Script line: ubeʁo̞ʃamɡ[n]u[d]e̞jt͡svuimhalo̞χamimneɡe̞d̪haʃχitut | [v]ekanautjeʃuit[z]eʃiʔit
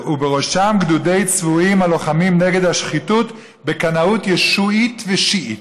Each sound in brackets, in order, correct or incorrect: incorrect, correct, incorrect, incorrect

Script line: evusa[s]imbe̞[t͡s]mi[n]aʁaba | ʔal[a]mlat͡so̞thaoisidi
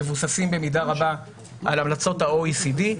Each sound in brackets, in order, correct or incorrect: correct, incorrect, incorrect, correct

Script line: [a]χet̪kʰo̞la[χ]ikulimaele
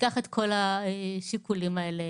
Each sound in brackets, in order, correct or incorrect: correct, incorrect

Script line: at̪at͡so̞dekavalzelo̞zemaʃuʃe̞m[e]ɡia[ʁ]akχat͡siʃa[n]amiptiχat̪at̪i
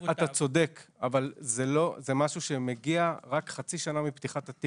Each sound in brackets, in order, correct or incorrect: correct, correct, correct

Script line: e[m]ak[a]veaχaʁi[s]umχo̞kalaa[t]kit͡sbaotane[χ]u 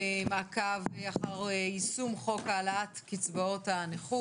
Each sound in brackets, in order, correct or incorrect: correct, correct, correct, correct, correct

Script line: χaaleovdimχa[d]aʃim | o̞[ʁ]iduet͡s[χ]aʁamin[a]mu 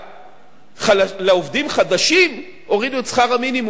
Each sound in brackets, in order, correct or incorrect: correct, correct, correct, incorrect

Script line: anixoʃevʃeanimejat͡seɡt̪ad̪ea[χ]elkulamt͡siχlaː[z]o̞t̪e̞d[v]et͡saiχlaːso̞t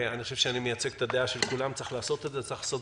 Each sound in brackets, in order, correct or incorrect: incorrect, incorrect, incorrect

